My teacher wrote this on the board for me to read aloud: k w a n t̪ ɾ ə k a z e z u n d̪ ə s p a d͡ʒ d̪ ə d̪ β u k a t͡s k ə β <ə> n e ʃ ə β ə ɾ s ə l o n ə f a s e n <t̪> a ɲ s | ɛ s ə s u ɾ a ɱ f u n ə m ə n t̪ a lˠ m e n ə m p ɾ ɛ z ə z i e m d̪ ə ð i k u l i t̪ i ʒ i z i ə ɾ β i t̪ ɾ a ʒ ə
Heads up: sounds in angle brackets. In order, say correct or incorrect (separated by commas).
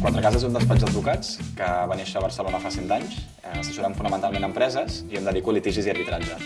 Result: incorrect, correct